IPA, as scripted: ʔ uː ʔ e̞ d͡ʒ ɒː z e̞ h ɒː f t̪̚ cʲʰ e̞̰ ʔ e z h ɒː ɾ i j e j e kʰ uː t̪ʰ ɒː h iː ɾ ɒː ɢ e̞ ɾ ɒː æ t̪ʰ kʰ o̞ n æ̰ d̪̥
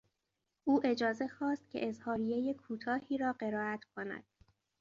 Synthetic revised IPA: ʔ uː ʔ e̞ d͡ʒ ɒː z e̞ x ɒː s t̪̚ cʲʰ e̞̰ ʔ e z h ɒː ɾ i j e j e kʰ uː t̪ʰ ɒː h iː ɾ ɒː ɢ e̞ ɾ ɒː æ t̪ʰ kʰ o̞ n æ̰ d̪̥